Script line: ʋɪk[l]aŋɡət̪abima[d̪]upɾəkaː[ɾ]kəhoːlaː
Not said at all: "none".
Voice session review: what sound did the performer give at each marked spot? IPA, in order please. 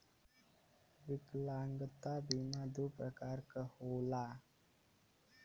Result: l, d̪, ɾ

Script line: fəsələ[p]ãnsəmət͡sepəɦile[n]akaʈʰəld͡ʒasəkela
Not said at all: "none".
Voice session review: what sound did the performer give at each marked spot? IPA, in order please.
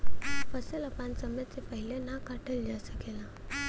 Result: p, n

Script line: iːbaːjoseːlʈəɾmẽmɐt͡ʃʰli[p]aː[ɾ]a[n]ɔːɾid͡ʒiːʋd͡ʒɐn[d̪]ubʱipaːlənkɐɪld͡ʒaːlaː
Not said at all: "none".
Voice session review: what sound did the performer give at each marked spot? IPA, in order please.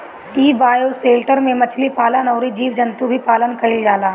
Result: p, l, n, t̪

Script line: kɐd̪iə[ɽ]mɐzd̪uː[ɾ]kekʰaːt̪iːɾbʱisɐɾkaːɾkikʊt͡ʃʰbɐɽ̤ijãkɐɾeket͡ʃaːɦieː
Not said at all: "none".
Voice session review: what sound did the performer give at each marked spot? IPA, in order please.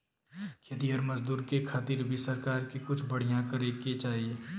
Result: ɾ, ɾ

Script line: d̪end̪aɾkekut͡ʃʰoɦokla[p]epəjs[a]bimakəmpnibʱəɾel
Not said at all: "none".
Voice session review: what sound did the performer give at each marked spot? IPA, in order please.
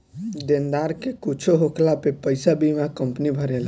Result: p, a

